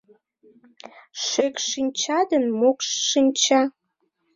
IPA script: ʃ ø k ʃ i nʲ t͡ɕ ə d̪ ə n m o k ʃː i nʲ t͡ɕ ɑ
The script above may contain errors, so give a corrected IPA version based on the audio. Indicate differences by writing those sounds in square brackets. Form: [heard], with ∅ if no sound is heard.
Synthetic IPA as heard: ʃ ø k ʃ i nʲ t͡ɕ [ɑ] d̪ ə n m o k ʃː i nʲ t͡ɕ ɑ